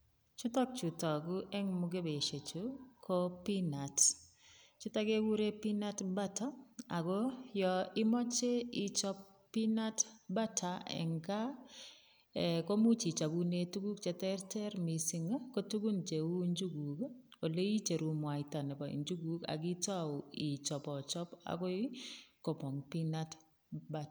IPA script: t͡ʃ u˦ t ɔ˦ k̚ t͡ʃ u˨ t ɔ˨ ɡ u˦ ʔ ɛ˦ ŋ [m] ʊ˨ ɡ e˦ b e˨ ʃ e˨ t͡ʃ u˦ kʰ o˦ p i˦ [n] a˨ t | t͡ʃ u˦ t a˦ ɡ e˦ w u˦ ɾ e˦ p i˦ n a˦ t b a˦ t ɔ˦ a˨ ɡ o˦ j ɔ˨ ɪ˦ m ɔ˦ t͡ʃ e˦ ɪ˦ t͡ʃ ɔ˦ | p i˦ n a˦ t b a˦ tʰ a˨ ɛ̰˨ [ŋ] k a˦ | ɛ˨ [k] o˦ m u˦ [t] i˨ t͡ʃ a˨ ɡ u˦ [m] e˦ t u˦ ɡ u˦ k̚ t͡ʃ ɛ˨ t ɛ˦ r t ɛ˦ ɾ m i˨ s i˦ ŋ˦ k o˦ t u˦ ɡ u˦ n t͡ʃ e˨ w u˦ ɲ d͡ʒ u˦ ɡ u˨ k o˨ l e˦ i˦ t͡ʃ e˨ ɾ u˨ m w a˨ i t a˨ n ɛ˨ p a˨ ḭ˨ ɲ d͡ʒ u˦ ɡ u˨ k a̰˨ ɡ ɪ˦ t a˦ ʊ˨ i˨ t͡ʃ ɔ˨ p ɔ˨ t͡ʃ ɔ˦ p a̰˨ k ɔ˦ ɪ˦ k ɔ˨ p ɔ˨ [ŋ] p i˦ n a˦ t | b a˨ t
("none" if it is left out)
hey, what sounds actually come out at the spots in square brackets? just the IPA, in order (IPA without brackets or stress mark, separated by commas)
m, n, ŋ, k, t͡ʃ, n, ŋ